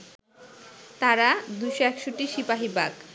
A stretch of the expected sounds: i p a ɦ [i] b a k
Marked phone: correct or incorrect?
correct